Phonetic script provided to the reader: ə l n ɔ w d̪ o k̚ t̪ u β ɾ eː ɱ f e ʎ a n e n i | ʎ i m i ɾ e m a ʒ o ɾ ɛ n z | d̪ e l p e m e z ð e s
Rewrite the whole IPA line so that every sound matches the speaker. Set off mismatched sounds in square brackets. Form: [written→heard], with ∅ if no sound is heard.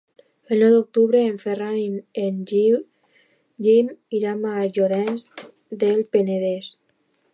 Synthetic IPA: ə l n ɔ w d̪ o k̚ t̪ u β ɾ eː ɱ f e [ʎ→r] a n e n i | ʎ i m i ɾ [e→a] m a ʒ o ɾ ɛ n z | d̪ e l p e [m→n] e [z→∅] ð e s